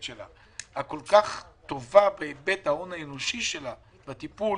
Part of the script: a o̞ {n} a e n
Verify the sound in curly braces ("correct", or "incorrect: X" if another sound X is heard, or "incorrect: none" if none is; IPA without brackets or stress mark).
correct